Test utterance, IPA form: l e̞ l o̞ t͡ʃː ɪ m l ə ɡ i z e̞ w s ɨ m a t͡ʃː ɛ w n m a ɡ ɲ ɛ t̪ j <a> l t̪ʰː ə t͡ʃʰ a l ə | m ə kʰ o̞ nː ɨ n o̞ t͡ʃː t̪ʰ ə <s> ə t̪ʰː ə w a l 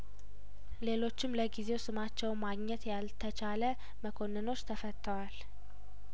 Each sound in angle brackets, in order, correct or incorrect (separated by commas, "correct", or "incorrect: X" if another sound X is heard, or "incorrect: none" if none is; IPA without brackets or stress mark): correct, incorrect: f